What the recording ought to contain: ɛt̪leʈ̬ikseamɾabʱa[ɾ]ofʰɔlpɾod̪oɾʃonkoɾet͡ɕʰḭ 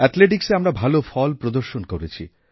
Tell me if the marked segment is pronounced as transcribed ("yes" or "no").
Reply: no